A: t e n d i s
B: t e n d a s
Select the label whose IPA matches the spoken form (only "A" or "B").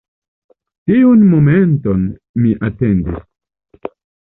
A